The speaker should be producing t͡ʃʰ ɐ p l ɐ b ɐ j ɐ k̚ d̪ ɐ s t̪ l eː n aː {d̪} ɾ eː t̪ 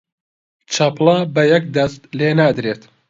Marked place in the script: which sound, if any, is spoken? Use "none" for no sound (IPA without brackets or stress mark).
d̪